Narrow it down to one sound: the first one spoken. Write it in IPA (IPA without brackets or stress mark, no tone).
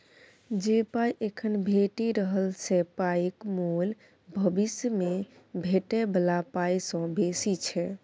d͡ʒ